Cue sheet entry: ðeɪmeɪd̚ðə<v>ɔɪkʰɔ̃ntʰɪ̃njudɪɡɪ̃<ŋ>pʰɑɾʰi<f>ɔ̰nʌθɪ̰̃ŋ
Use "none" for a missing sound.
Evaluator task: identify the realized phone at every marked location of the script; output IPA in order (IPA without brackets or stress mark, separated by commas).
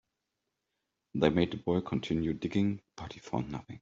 b, ŋ, f